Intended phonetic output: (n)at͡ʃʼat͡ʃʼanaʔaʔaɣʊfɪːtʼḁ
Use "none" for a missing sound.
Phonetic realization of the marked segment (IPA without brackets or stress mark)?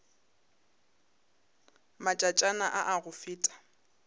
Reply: m